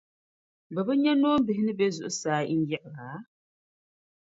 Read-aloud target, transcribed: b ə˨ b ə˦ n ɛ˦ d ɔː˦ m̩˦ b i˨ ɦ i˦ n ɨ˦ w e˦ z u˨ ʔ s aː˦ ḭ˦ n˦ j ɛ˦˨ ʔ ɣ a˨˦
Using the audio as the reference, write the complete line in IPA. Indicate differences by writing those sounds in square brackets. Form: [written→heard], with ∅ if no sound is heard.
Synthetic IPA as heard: b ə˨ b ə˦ [n→ɲ] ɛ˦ [d→n] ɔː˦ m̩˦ b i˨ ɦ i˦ n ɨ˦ [w→b] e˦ z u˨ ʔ s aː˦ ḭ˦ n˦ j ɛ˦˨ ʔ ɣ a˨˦